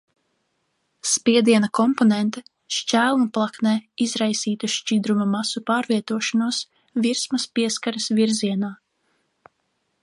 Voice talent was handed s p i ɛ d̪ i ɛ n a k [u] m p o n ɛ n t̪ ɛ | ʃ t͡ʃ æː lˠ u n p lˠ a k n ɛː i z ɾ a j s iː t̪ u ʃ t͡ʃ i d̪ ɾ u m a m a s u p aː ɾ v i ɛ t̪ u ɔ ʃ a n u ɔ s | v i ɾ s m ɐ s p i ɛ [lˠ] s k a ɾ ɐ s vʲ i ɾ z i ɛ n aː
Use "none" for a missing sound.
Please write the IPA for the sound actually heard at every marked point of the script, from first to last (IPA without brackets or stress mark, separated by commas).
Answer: ɔ, none